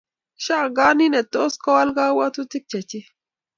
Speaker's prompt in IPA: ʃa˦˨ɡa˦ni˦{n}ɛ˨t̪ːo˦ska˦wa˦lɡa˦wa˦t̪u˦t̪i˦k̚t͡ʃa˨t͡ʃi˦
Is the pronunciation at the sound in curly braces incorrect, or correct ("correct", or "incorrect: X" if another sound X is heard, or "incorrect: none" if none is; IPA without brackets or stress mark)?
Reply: correct